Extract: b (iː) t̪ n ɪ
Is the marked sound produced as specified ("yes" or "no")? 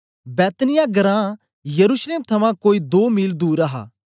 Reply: no